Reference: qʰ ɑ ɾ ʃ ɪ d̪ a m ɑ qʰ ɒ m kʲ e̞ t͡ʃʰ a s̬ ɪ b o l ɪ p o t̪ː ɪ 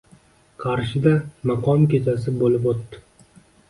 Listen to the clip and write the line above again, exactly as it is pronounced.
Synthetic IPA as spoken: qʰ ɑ ɾ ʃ ɪ d̪ a m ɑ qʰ ɒ m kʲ e̞ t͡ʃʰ a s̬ ɪ b o l ɪ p o t̪ː ɪ